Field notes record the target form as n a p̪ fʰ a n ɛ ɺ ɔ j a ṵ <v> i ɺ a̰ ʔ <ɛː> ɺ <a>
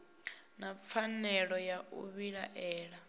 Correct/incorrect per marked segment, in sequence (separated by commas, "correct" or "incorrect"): incorrect, correct, correct